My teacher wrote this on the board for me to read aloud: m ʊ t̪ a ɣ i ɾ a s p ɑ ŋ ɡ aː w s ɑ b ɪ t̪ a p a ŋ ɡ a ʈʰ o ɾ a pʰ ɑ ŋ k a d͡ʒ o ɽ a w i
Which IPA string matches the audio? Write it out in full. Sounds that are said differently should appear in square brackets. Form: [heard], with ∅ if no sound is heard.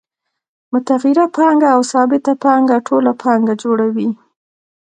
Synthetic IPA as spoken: m ʊ t̪ a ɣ i ɾ a [∅] p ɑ ŋ ɡ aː w s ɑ b ɪ t̪ a p [ɑ] ŋ ɡ a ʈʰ o [l] a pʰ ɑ ŋ [ɡ] a d͡ʒ o ɽ a w i